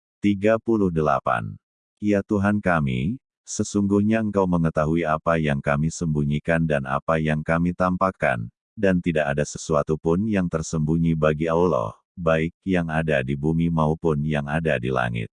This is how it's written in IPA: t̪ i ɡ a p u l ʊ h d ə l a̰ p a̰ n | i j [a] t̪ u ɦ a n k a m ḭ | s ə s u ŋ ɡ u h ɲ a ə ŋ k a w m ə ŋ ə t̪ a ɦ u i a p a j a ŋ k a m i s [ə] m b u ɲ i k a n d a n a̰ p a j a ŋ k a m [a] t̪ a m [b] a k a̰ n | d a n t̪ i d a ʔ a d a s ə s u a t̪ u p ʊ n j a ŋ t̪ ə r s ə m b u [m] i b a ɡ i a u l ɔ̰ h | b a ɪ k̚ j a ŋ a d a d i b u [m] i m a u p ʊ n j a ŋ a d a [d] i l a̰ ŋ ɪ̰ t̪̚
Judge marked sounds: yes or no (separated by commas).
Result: yes, yes, no, no, no, yes, yes